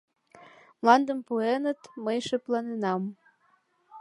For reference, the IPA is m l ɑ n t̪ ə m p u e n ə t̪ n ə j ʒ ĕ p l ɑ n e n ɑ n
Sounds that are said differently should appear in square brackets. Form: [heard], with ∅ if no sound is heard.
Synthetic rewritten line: m l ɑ n [d̪] ə m p u e n ə t̪ [m] ə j [ʃ] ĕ p l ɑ n e n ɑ [m]